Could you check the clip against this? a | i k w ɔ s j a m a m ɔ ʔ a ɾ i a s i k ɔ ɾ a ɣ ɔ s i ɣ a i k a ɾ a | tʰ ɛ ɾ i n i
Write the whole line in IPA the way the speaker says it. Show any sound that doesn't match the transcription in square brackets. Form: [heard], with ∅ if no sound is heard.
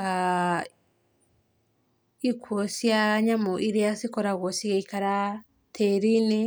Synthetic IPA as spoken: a | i k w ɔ s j a [ɲ] a m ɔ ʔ [i] ɾ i a s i k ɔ ɾ a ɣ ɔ s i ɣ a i k a ɾ a | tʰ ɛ ɾ i n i